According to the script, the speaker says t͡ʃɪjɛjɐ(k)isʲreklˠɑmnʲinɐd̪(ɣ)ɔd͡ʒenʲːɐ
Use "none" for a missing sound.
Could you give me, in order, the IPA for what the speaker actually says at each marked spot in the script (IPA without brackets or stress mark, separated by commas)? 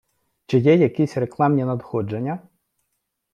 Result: k, x